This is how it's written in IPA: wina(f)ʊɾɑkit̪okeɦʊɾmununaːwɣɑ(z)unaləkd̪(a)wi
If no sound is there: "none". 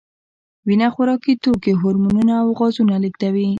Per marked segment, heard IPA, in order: x, z, a

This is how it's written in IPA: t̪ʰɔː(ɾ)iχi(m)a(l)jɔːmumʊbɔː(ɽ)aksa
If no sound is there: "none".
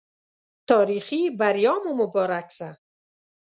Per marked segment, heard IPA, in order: ɾ, b, ɾ, ɾ

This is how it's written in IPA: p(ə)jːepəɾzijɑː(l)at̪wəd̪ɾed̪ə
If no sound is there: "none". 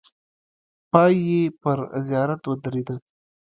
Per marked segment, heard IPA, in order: ɑ, ɾ

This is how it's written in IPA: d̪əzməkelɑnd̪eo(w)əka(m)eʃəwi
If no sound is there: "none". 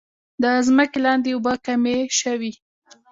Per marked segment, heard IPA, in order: b, m

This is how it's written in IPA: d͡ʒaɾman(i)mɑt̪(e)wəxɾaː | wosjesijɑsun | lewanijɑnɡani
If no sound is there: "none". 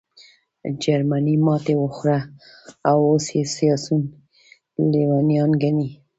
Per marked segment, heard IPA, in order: i, e

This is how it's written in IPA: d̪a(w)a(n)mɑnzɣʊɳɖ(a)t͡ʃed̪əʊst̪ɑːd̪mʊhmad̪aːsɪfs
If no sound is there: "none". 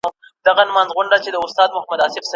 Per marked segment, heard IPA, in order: ɣ, n, a

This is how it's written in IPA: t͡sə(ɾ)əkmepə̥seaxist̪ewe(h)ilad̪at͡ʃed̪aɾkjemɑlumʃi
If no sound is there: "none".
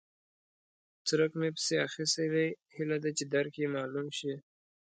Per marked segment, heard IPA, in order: ɾ, h

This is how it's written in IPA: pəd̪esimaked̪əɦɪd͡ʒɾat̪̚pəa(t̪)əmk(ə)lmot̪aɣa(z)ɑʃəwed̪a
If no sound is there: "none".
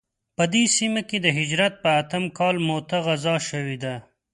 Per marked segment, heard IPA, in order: t̪, ɑ, z

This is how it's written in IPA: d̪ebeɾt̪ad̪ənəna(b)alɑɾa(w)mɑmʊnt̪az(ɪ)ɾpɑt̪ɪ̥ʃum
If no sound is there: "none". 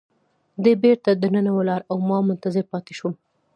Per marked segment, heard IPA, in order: w, w, ɪ

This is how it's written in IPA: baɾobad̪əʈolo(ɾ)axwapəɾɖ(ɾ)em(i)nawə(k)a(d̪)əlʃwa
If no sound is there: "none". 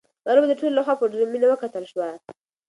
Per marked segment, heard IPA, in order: l, ɾ, i, k, t̪

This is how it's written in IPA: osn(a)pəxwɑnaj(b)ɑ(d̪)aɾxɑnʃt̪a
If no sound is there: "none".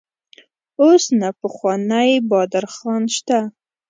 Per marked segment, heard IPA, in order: a, b, d̪

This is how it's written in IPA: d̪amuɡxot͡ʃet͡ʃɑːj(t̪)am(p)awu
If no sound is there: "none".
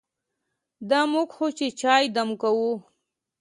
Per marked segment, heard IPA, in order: d̪, k

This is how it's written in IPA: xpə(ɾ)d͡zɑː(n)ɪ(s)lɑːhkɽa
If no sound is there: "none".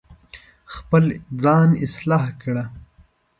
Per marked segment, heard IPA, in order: l, n, s

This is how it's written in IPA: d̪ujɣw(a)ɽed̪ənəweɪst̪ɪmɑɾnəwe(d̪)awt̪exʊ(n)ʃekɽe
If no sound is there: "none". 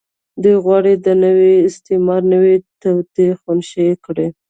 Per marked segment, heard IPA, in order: ɑ, t̪, n

